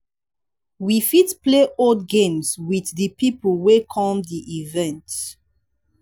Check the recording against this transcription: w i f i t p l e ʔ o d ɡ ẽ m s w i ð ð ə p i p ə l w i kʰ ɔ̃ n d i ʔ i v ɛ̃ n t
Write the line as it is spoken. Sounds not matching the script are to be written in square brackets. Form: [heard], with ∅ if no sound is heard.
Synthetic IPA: w i f i t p l e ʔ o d ɡ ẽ m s w i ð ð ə p i p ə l w [e] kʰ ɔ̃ [m] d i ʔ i v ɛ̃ n t

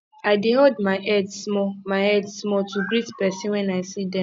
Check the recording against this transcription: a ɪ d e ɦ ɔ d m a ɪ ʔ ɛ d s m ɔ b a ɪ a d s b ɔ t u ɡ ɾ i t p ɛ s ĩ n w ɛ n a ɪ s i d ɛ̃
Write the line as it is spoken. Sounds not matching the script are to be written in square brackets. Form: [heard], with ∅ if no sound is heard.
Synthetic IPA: a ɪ d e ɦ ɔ d m a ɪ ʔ ɛ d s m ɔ [m] a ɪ [ɛ] d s [m] ɔ t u ɡ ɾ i t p ɛ s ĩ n w ɛ n a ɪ s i d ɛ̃

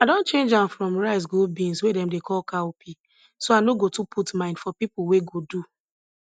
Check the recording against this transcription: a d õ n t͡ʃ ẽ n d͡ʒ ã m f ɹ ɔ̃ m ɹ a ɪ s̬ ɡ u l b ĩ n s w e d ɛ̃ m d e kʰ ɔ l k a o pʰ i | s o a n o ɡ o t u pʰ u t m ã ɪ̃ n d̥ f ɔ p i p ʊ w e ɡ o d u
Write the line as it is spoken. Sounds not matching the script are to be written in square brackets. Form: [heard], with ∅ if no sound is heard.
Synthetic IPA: a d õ n t͡ʃ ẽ n d͡ʒ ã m f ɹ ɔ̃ m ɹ a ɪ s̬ ɡ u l b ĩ n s w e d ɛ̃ m d e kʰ ɔ l k a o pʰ i | s o a n o ɡ o t u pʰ u t m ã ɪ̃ n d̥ f ɔ p i p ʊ w e ɡ o d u

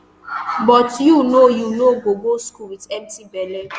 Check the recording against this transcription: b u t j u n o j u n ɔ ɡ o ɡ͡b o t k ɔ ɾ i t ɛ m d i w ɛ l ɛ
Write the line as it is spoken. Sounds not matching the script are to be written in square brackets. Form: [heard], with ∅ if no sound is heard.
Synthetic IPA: b [ɔ] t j u n o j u n [o] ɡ o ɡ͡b o [s] k [u] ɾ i t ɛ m [t] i [b] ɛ l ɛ

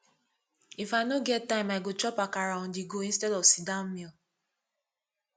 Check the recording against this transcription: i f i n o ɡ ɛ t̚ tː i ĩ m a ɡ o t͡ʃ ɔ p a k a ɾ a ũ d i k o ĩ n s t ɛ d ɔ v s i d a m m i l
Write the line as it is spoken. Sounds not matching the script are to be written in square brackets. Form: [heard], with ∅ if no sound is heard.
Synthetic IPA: i f [a] n o ɡ ɛ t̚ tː [a] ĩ m a ɡ o t͡ʃ ɔ p a k a ɾ a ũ d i [ɡ] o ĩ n s t ɛ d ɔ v s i d a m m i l

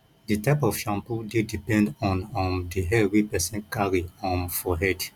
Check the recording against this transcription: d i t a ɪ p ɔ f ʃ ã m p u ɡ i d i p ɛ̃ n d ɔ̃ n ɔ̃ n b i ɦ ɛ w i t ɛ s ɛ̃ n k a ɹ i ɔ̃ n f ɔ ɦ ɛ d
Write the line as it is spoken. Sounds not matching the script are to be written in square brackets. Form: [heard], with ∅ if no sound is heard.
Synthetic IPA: d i t a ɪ p ɔ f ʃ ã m p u [d] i d i p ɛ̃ n d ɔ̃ n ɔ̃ n [d] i ɦ ɛ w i [p] ɛ s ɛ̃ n k a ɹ i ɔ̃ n f ɔ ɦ ɛ d

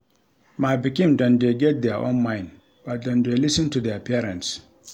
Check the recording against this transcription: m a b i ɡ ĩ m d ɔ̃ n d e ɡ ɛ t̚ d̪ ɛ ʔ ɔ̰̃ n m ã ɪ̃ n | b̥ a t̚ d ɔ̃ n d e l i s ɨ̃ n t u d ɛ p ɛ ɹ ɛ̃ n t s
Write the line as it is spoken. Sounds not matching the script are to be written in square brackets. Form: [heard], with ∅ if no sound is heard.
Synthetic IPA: m a b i [k] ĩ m d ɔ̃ n d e ɡ ɛ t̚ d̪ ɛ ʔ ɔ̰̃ n m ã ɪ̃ n | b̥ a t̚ d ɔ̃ n d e l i s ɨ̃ n t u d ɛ p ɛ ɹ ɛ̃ n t s

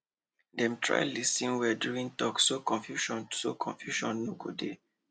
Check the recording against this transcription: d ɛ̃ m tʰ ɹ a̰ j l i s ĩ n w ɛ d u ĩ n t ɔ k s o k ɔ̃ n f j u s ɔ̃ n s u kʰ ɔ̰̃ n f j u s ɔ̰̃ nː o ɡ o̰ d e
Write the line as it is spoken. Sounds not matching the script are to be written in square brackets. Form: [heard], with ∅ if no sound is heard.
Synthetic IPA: d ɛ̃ m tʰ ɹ a̰ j l i s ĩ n w ɛ d u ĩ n t ɔ k s o k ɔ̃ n f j u [ʃ] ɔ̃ n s [o] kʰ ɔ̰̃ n f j u [ʃ] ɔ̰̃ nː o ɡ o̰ d e

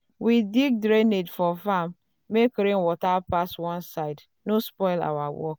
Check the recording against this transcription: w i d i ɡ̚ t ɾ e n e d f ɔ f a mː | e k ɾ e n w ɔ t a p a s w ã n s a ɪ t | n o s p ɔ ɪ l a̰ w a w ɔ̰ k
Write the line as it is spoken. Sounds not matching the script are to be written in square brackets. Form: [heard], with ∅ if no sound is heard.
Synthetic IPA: w i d i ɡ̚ [d] ɾ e n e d f ɔ f a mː | e k ɾ e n w ɔ t a p a s w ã n s a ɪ [d] | n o s p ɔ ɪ l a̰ w a w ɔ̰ k

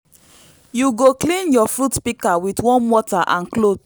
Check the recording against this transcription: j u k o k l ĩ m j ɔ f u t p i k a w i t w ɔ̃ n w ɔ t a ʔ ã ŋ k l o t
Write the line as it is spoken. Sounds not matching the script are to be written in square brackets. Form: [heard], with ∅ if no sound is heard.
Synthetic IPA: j u [ɡ] o k l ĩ [n] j ɔ f u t p i k a w i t w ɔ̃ n w ɔ t a ʔ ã [n] k l o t

